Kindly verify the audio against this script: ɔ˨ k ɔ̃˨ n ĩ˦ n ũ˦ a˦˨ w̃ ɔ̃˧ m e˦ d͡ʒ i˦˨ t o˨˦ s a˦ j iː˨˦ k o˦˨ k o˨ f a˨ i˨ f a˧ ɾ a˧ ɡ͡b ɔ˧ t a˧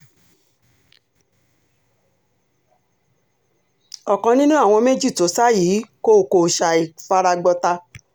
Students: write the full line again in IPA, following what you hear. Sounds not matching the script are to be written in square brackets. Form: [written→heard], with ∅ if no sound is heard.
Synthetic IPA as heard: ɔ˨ k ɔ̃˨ n ĩ˦ n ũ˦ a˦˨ w̃ ɔ̃˧ m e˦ d͡ʒ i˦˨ t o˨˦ s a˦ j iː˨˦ k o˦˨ k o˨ [f→ʃ] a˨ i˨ f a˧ ɾ a˧ ɡ͡b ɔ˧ t a˧